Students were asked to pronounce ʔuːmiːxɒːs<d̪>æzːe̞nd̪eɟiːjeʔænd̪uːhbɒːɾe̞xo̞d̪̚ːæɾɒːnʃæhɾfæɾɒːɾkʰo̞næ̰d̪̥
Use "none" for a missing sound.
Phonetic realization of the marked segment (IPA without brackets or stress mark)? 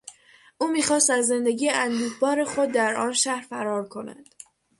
t̪